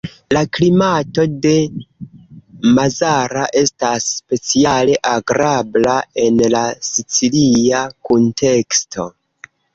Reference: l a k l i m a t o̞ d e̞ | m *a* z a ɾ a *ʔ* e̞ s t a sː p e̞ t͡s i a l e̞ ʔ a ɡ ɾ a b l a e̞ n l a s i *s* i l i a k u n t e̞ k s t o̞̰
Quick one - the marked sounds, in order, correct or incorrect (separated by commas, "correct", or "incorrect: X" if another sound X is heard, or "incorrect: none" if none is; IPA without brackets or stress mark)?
correct, correct, incorrect: t͡s